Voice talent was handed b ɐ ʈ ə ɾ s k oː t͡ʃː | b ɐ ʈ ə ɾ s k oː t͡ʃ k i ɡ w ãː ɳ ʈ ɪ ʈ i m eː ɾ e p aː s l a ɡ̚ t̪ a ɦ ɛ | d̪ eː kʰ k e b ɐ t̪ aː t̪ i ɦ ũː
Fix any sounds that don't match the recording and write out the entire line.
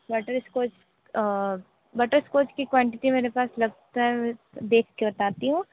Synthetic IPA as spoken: b ɐ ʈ ə ɾ s k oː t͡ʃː | b ɐ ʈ ə ɾ s k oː t͡ʃ k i k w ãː ɳ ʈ ɪ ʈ i m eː ɾ e p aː s l ɐ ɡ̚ t̪ a ɦ ɛ | d̪ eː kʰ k e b ɐ t̪ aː t̪ i ɦ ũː

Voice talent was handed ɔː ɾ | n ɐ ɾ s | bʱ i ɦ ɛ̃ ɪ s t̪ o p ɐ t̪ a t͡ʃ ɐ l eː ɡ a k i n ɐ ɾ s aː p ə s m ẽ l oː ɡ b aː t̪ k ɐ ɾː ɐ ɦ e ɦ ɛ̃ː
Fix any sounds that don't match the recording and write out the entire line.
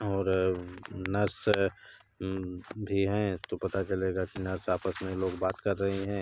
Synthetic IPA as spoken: ɔː ɾ | n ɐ ɾ s | bʱ i ɦ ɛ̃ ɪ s t̪ o p ɐ t̪ a t͡ʃ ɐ l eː ɡ a k i n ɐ ɾ s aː p ə s m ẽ l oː ɡ b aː t̪ k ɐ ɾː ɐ ɦ e ɦ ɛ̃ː

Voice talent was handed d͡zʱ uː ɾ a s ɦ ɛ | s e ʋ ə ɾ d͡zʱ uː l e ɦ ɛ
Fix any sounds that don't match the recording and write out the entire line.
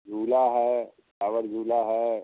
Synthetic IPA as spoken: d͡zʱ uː l a ɦ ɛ | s a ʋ ə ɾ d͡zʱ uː l a ɦ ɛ

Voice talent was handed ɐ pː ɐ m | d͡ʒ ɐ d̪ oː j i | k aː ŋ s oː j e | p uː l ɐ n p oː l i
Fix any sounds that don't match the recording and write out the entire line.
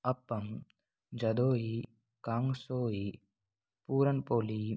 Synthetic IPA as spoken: ɐ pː ɐ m | d͡ʒ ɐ d̪ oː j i | k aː ŋ s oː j i | p uː ɾ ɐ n p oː l i

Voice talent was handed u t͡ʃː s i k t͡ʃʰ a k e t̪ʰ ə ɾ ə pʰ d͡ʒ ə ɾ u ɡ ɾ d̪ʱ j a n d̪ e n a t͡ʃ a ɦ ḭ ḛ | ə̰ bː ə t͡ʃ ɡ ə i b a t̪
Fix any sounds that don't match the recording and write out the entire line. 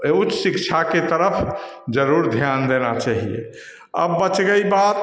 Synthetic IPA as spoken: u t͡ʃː s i k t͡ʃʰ a k e t̪ ə ɾ ə pʰ d͡ʒ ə ɾ u ɾ d̪ʱ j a n d̪ e n a t͡ʃ a ɦ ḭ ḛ | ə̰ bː ə t͡ʃ ɡ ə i b a t̪

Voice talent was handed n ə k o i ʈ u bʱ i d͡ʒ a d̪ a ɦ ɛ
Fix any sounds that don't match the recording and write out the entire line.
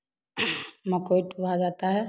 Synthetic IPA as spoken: m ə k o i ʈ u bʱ a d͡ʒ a t̪ a ɦ ɛ

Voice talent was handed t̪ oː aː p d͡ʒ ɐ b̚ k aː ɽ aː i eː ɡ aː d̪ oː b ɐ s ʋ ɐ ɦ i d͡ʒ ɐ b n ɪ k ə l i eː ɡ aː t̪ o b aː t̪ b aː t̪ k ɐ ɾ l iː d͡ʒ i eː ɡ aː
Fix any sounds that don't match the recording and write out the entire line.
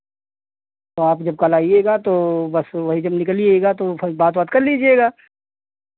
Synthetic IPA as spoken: t̪ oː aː p d͡ʒ ɐ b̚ k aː l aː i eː ɡ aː t̪ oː b ɐ s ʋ ɐ ɦ i d͡ʒ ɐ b n ɪ k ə l i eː ɡ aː t̪ o b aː t̪ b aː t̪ k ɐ ɾ l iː d͡ʒ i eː ɡ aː

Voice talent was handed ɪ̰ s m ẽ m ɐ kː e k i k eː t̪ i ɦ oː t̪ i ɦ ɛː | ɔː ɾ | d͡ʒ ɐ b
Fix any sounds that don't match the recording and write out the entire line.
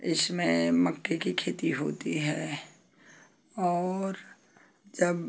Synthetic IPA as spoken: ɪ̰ s m ẽ m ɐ kː e k i kʰ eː t̪ i ɦ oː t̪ i ɦ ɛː | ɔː ɾ | d͡ʒ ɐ b

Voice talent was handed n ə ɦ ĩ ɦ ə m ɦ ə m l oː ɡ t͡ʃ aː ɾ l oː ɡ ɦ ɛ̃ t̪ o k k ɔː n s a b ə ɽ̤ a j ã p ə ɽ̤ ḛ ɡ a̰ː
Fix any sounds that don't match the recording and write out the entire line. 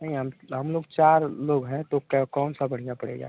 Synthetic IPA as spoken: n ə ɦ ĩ ɦ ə m ɦ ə m l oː ɡ t͡ʃ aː ɾ l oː ɡ ɦ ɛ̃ t̪ o k k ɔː n s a b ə ɽ̤ i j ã p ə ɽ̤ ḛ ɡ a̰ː

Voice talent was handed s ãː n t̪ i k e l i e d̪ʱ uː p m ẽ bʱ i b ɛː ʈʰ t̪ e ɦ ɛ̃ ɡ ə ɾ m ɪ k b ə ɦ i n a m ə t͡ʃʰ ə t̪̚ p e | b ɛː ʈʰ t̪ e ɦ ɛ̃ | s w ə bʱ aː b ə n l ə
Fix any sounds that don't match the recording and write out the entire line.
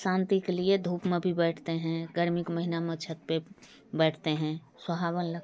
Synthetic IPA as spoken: s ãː n t̪ i k e l i e d̪ʱ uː p m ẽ bʱ i b ɛː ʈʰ t̪ e ɦ ɛ̃ ɡ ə ɾ m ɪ k m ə ɦ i n a m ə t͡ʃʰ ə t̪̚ p e | b ɛː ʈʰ t̪ e ɦ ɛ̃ | s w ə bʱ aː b ə n l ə

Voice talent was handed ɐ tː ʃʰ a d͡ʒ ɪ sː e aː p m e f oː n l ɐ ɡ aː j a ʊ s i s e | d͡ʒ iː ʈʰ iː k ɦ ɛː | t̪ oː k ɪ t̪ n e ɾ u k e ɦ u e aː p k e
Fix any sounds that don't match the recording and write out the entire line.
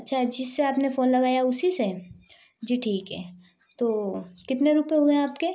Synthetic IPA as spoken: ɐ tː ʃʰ a d͡ʒ ɪ sː e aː p n e f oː n l ɐ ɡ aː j a ʊ s i s e | d͡ʒ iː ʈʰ iː k ɦ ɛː | t̪ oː k ɪ t̪ n e ɾ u p e ɦ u e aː p k e

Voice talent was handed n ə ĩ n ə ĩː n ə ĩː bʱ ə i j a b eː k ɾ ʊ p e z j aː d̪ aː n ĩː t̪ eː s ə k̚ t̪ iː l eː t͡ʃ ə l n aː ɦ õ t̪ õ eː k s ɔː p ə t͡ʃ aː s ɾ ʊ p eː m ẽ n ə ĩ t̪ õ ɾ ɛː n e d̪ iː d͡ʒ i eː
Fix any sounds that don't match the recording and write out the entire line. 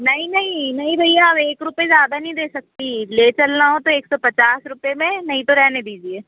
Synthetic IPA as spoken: n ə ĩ n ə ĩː n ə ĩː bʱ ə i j a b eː k ɾ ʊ p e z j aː d̪ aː n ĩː d̪ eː s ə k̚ t̪ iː l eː t͡ʃ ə l n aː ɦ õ t̪ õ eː k s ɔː p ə t͡ʃ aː s ɾ ʊ p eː m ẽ n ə ĩ t̪ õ ɾ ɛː n e d̪ iː d͡ʒ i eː

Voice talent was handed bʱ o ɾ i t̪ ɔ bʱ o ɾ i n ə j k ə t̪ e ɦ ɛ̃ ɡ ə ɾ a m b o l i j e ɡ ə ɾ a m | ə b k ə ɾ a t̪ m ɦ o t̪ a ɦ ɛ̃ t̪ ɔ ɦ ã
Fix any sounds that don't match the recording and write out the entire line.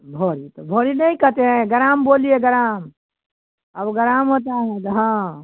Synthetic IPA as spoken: bʱ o ɾ i t̪ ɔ bʱ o ɾ i n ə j k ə t̪ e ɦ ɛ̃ ɡ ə ɾ a m b o l i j e ɡ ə ɾ a m | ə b ɡ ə ɾ a m ɦ o t̪ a ɦ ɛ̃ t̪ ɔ ɦ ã

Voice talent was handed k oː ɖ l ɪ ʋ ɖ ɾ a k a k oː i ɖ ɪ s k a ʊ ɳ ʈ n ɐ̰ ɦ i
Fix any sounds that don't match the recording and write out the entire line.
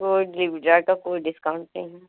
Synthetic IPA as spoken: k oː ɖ l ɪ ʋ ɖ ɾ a k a k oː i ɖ ɪ s k a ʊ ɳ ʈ n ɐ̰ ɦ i

